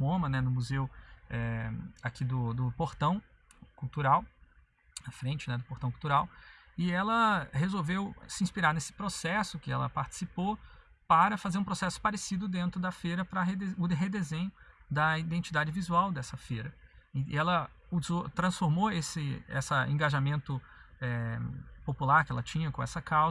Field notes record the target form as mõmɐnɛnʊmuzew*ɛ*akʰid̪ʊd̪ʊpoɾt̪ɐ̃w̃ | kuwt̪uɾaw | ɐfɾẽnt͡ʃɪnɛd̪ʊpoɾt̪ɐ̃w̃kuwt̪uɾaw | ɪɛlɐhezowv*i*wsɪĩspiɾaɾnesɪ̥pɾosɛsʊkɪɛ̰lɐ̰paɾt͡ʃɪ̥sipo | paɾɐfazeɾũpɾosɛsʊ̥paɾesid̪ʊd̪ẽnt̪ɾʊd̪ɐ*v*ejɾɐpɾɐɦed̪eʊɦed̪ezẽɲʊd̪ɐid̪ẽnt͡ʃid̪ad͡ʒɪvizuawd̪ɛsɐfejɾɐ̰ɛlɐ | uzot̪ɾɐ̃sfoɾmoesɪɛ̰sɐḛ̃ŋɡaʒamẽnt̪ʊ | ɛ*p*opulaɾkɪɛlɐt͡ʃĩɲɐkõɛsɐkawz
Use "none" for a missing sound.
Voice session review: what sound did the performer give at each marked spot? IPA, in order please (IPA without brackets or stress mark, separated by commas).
ɛ, e, f, p